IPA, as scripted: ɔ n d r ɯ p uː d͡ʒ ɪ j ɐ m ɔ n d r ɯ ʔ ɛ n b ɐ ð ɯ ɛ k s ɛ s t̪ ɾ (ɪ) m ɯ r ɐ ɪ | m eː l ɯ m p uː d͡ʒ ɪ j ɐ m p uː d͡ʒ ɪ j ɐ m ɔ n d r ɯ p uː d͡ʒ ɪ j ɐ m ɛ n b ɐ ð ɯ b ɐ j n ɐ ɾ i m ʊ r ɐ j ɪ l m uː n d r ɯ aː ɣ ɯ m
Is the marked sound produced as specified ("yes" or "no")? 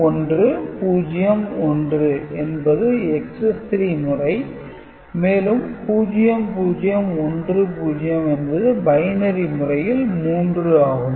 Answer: no